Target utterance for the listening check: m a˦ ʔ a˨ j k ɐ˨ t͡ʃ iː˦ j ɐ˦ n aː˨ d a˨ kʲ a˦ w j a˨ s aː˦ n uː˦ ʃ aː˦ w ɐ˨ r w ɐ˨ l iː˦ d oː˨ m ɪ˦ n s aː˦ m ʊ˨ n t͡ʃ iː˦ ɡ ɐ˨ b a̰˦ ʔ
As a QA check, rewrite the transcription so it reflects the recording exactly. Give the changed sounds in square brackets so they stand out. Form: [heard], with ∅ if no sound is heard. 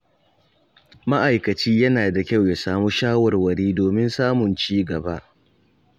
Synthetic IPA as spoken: m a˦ ʔ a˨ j k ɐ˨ t͡ʃ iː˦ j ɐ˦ n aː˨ d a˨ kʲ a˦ w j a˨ s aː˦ [m] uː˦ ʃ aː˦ w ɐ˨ r w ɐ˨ [ɽ] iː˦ d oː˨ m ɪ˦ n s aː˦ m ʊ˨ n t͡ʃ iː˦ ɡ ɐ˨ b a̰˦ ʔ